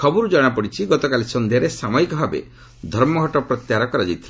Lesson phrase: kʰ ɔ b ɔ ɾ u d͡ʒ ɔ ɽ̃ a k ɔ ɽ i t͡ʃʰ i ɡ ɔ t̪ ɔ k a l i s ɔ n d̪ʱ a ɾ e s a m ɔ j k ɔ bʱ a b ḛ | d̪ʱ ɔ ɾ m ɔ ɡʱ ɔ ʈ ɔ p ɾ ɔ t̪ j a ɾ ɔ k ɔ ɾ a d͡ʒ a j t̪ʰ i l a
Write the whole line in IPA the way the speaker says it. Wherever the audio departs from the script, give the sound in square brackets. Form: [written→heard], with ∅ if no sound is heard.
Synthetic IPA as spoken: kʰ ɔ b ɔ ɾ u d͡ʒ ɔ ɽ̃ a [k→p] ɔ ɽ i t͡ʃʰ i ɡ ɔ t̪ ɔ k a l i s ɔ n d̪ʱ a ɾ e s a m ɔ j k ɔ bʱ a b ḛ | d̪ʱ ɔ ɾ m ɔ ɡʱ ɔ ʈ ɔ p ɾ ɔ t̪ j a ɾ ɔ k ɔ ɾ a d͡ʒ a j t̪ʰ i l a

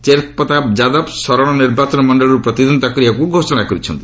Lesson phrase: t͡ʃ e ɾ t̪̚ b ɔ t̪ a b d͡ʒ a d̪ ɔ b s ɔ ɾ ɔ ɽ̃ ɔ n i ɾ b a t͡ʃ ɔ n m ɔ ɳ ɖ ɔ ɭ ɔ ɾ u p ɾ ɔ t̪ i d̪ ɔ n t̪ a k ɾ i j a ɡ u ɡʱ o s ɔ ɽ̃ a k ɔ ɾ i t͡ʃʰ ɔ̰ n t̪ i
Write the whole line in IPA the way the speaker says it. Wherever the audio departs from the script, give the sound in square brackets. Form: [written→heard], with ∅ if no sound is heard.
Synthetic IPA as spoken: t͡ʃ e ɾ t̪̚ [b→p] ɔ t̪ a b d͡ʒ a d̪ ɔ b s ɔ ɾ ɔ ɽ̃ ɔ n i ɾ b a t͡ʃ ɔ n m ɔ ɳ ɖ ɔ ɭ ɔ ɾ u p ɾ ɔ t̪ i d̪ ɔ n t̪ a k ɾ i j a [ɡ→k] u ɡʱ o s ɔ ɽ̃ a k ɔ ɾ i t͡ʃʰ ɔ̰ n t̪ i

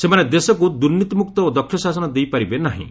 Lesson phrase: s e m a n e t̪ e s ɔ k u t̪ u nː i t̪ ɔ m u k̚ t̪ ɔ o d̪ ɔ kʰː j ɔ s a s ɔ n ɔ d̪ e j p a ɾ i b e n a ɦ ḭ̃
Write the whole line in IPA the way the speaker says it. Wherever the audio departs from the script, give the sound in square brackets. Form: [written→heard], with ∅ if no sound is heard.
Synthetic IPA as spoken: s e m a n e [t̪→d̪] e s ɔ k u [t̪→d̪] u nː i t̪ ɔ m u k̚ t̪ ɔ o d̪ ɔ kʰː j ɔ s a s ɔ n ɔ d̪ e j p a ɾ i b e n a ɦ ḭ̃

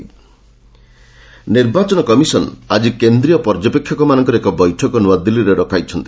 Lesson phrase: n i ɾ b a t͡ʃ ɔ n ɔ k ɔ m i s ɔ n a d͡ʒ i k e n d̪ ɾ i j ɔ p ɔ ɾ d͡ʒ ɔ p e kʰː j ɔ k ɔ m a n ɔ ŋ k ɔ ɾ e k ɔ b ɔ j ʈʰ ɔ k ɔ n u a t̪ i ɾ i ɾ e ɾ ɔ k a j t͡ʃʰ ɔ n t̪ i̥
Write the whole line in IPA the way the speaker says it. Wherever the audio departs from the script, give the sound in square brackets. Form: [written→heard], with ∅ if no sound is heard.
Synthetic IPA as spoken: n i ɾ b a t͡ʃ ɔ n ɔ k ɔ m i s ɔ n a d͡ʒ i k e n d̪ ɾ i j ɔ p ɔ ɾ d͡ʒ ɔ p e kʰː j ɔ k ɔ m a n ɔ ŋ k ɔ ɾ e k ɔ b ɔ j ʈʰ ɔ k ɔ n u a [t̪→d̪] i [ɾ→l] i ɾ e ɾ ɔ k a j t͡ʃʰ ɔ n t̪ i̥

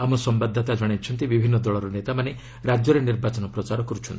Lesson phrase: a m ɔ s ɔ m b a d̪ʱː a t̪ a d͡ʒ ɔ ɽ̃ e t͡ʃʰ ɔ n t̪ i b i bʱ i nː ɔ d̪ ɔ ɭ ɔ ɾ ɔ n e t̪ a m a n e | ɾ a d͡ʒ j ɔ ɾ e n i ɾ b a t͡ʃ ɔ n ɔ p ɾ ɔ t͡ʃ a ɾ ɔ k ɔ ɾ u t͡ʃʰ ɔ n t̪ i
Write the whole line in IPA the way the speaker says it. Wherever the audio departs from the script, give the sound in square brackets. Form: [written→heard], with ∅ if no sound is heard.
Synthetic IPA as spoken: a m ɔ s ɔ m b a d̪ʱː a t̪ a d͡ʒ ɔ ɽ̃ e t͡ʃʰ ɔ n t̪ i b i bʱ i nː ɔ d̪ ɔ ɭ ɔ ɾ ɔ n e t̪ a m a n e | ɾ a d͡ʒ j ɔ ɾ e n i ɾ b a t͡ʃ ɔ n ɔ p ɾ ɔ t͡ʃ a ɾ ɔ k ɔ ɾ u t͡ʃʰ ɔ n t̪ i

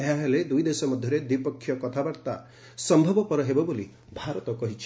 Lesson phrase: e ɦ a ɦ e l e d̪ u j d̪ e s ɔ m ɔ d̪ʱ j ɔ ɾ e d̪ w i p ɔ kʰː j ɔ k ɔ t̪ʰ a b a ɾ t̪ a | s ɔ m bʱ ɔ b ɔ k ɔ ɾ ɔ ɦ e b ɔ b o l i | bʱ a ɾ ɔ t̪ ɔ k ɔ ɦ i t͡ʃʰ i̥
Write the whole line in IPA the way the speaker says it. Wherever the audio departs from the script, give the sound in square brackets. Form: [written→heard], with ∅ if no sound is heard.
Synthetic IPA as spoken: e ɦ a ɦ e l e d̪ u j d̪ e s ɔ m ɔ d̪ʱ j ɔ ɾ e d̪ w i p ɔ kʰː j ɔ k ɔ t̪ʰ a b a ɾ t̪ a | s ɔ m bʱ ɔ b ɔ [k→p] ɔ ɾ ɔ ɦ e b ɔ b o l i | bʱ a ɾ ɔ t̪ ɔ k ɔ ɦ i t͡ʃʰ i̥

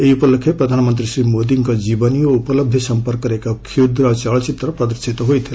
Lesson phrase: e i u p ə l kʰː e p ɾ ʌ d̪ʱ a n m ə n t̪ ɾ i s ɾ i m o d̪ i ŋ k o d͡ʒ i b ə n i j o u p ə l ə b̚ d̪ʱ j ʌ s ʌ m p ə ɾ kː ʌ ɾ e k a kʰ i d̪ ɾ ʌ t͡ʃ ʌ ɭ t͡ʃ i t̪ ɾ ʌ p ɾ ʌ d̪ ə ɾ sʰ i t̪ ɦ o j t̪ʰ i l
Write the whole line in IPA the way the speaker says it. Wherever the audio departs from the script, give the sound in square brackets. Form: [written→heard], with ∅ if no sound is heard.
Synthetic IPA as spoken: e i u p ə l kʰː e p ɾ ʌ d̪ʱ a n m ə n t̪ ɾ i s ɾ i m o d̪ i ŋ k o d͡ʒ i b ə n i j o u p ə l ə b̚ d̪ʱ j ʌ s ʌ m p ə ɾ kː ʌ ɾ e k a kʰ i d̪ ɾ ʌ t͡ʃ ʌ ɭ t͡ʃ i t̪ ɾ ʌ p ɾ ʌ d̪ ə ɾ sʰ i t̪ ɦ o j t̪ʰ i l

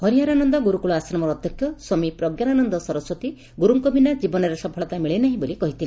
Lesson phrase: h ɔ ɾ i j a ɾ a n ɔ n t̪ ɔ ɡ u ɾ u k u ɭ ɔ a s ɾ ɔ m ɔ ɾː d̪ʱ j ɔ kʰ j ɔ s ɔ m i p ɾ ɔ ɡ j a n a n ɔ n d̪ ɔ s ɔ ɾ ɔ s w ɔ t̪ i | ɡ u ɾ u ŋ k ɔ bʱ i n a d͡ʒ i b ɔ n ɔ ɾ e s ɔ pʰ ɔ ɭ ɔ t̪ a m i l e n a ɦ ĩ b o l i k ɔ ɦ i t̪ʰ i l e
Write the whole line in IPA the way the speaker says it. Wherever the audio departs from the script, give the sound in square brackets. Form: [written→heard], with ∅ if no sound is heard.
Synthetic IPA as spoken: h ɔ ɾ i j a ɾ a n ɔ n [t̪→d̪] ɔ ɡ u ɾ u k u ɭ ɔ a s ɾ ɔ m ɔ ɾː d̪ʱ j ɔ kʰ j ɔ s ɔ m i p ɾ ɔ ɡ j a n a n ɔ n d̪ ɔ s ɔ ɾ ɔ s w ɔ t̪ i | ɡ u ɾ u ŋ k ɔ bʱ i n a d͡ʒ i b ɔ n ɔ ɾ e s ɔ pʰ ɔ ɭ ɔ t̪ a m i [l→ɭ] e n a ɦ ĩ b o l i k ɔ ɦ i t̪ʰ i l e

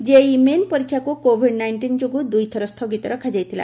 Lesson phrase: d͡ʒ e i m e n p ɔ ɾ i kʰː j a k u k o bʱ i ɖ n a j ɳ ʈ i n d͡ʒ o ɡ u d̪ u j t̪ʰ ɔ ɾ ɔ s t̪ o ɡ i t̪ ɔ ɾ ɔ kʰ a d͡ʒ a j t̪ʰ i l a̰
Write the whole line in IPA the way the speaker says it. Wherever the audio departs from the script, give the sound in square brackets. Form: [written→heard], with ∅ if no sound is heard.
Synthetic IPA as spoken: d͡ʒ e i m e n p ɔ ɾ i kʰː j a k u k o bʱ i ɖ n a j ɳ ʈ i n d͡ʒ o ɡ u d̪ u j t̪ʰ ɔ ɾ ɔ s [t̪→t̪ʰ] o ɡ i t̪ ɔ ɾ ɔ kʰ a d͡ʒ a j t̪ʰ i l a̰

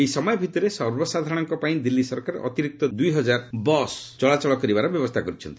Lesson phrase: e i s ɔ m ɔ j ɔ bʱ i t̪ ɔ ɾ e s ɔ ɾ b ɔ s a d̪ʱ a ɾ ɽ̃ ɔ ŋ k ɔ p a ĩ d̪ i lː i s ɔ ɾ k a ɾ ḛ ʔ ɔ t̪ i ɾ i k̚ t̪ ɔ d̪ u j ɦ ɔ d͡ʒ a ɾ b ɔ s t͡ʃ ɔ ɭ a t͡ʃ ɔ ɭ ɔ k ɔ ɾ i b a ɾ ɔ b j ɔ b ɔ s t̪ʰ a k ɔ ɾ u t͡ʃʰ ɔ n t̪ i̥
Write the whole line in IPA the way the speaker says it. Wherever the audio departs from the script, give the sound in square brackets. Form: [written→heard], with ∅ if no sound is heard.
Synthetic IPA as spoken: e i s ɔ m ɔ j ɔ bʱ i t̪ ɔ ɾ e s ɔ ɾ b ɔ s a d̪ʱ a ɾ ɽ̃ ɔ ŋ k ɔ p a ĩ d̪ i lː i s ɔ ɾ k a ɾ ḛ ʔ ɔ t̪ i ɾ i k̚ t̪ ɔ d̪ u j ɦ ɔ d͡ʒ a ɾ b ɔ s t͡ʃ ɔ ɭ a t͡ʃ ɔ ɭ ɔ k ɔ ɾ i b a ɾ ɔ b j ɔ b ɔ s t̪ʰ a k ɔ ɾ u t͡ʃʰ ɔ n t̪ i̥

